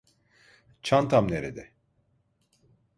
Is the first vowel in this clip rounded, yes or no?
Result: no